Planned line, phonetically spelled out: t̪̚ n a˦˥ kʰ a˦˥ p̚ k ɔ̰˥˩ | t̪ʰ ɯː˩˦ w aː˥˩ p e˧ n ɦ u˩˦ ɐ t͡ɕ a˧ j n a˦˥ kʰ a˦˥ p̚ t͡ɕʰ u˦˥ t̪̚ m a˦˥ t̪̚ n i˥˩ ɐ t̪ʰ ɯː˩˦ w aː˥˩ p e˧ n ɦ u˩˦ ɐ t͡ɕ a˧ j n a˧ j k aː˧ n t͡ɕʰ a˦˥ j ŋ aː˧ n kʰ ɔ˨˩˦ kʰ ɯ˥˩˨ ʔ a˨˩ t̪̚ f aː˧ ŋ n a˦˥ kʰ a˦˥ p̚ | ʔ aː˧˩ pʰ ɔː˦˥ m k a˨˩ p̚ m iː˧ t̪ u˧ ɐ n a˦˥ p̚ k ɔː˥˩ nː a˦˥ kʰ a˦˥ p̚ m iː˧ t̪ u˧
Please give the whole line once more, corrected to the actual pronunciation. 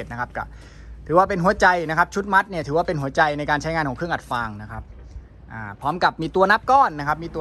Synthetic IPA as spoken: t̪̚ n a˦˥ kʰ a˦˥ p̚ k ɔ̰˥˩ | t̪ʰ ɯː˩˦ w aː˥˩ p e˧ n ɦ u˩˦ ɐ t͡ɕ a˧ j n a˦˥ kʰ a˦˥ p̚ t͡ɕʰ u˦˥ t̪̚ m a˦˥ t̪̚ n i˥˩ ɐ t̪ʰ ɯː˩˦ w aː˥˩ p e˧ n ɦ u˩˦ ɐ t͡ɕ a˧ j n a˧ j k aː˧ n t͡ɕʰ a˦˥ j ŋ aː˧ n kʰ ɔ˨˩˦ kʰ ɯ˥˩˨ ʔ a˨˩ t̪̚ f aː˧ ŋ n a˦˥ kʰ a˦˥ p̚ | ʔ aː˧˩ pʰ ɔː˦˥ m k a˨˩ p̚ m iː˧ t̪ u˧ ɐ n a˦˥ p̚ k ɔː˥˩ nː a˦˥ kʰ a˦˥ p̚ m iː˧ t̪ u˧